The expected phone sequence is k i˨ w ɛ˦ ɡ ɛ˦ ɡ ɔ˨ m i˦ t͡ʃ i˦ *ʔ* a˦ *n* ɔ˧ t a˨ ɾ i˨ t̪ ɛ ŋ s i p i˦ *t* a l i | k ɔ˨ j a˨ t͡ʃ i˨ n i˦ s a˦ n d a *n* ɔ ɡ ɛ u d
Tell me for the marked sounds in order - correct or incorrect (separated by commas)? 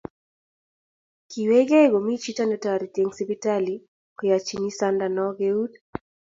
incorrect, correct, correct, correct